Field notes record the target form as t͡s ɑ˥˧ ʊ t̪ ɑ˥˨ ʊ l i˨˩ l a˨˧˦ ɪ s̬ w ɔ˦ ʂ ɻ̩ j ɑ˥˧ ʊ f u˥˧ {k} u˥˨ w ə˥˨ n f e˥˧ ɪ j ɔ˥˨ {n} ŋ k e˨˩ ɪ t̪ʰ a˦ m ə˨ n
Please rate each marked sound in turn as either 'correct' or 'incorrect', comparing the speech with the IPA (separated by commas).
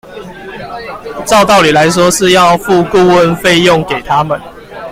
correct, incorrect